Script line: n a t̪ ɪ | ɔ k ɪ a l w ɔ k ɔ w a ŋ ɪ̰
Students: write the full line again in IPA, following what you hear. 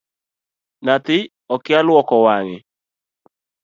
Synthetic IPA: n a t̪ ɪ | ɔ k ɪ a l w ɔ k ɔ w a ŋ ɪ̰

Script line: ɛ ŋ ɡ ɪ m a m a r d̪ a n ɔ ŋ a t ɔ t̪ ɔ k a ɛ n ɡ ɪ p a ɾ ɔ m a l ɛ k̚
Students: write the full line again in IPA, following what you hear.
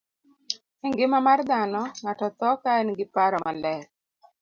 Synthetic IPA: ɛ ŋ ɡ ɪ m a m a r d̪ a n ɔ ŋ a t ɔ t̪ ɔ k a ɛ n ɡ ɪ p a ɾ ɔ m a l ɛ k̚

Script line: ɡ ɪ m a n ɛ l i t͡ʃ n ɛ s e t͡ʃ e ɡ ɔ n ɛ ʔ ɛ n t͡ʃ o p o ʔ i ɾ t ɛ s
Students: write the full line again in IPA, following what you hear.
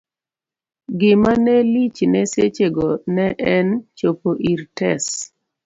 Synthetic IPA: ɡ ɪ m a n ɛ l i t͡ʃ n ɛ s e t͡ʃ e ɡ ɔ n ɛ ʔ ɛ n t͡ʃ o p o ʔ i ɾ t ɛ s

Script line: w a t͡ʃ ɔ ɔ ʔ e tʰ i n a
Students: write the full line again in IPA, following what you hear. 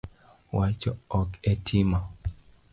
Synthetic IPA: w a t͡ʃ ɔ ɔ k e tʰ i m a

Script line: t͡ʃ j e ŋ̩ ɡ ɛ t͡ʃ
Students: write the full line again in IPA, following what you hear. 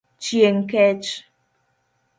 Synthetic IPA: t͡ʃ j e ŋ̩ k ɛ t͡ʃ

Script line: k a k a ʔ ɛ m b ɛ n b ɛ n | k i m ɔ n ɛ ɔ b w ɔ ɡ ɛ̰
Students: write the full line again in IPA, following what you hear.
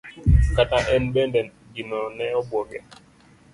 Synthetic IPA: k a t a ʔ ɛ n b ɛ n d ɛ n | ɡ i n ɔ n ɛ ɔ b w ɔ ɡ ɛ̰

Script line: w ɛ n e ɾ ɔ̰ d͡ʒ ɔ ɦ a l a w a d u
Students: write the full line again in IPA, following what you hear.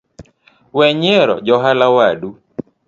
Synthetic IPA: w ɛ ɲ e ɾ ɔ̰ d͡ʒ ɔ ɦ a l a w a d u

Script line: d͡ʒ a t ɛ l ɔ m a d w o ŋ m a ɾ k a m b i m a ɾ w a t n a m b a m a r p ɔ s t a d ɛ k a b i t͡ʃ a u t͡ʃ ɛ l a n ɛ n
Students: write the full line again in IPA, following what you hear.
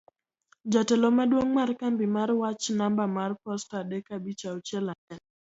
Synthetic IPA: d͡ʒ a t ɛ l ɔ m a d w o ŋ m a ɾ k a m b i m a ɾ w a t͡ʃ n a m b a m a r p ɔ s t a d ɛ k a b i t͡ʃ a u t͡ʃ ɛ l a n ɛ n

